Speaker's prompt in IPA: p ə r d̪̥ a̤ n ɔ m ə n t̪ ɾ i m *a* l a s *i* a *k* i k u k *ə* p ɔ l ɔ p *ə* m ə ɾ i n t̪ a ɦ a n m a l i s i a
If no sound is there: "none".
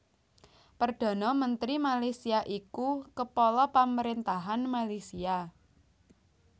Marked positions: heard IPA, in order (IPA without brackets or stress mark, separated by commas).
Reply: a, i, ʔ, ə, a